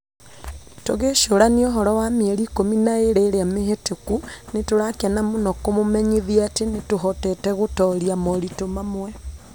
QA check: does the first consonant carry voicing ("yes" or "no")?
no